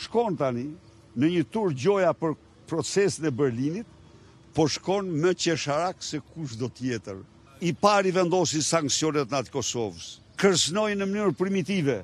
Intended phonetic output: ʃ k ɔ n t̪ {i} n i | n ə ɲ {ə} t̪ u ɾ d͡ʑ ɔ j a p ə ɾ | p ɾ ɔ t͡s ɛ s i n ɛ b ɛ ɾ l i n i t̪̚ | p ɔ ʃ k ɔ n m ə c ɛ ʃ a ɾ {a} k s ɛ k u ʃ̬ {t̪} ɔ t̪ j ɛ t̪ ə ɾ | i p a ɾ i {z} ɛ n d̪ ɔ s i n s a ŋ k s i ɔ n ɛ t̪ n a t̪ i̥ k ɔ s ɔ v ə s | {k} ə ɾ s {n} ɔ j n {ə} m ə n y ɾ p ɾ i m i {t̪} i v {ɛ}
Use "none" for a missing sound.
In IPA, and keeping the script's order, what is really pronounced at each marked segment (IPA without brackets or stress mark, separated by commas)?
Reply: a, ə, a, d̪, v, k, n, ə, t̪, ɛ